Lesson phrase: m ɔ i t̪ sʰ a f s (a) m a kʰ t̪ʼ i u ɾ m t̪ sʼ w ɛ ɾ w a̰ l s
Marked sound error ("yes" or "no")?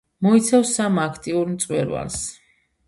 no